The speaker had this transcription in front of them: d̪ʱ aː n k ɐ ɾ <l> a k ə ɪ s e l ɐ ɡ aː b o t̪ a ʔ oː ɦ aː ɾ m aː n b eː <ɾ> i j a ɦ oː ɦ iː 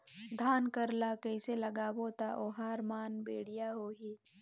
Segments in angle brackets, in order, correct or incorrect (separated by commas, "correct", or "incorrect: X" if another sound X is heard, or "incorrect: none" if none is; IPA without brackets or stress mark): correct, incorrect: ɽ